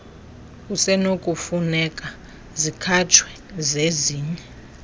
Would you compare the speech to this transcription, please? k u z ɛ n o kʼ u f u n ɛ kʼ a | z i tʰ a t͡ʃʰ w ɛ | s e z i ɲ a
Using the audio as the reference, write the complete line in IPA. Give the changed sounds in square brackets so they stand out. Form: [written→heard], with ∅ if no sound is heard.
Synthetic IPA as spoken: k u [z→s] ɛ n o kʼ u f u n ɛ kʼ a | z i [tʰ→kʰ] a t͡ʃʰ w ɛ | [s→z] e z [i→iː] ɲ [a→ɛ]

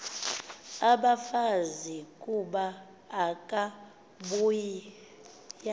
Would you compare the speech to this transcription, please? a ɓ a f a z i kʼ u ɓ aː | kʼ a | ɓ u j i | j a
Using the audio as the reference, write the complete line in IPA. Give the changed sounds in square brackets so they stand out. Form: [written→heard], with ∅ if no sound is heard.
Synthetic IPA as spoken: a ɓ a f a z i kʼ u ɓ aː | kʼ a | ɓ u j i | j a

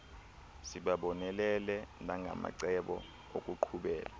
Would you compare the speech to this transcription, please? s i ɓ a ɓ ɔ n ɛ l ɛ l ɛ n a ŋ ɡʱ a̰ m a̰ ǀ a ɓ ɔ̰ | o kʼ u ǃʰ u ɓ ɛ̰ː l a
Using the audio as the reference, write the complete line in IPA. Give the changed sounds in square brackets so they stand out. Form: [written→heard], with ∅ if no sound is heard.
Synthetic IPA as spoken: s i ɓ a ɓ ɔ n ɛ l ɛ l ɛ n a ŋ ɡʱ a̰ m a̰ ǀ [a→ɛ] ɓ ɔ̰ | o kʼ u ǃʰ u ɓ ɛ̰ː l a

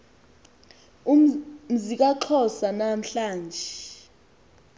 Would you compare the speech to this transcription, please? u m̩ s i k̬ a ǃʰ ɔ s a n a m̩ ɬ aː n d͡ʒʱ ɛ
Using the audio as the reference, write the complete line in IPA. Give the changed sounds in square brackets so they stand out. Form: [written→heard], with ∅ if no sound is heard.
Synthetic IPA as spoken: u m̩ [s→z] i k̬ a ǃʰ ɔ s a n a m̩ ɬ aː n d͡ʒʱ ɛ

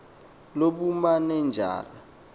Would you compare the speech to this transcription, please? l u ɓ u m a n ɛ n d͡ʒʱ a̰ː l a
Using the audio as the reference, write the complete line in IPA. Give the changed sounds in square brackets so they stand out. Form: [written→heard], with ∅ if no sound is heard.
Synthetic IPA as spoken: l [u→o] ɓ u m a n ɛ n d͡ʒʱ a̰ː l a

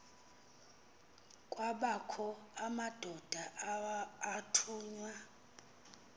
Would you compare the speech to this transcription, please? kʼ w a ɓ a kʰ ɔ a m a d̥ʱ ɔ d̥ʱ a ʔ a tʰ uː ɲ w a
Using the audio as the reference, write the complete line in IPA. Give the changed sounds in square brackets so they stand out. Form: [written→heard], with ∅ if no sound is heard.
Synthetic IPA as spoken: kʼ w a ɓ a kʰ ɔ a m a d̥ʱ ɔ d̥ʱ a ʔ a tʰ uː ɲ w a

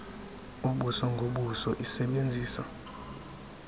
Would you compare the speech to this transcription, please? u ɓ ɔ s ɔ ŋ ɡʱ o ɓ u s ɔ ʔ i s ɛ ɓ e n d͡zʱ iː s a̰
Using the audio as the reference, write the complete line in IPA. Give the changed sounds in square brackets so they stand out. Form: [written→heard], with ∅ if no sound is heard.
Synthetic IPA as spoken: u ɓ [ɔ→u] s ɔ ŋ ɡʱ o ɓ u s ɔ ʔ i s ɛ ɓ e n d͡zʱ iː s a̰

